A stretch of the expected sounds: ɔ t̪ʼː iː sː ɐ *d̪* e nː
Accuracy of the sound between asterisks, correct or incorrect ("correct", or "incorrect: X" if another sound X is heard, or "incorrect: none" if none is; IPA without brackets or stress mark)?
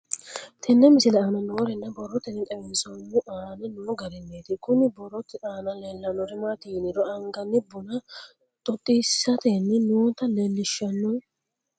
incorrect: t̪